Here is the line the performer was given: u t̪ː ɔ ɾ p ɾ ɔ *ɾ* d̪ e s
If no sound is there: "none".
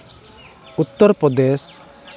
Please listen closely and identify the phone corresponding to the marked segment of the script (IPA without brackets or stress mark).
none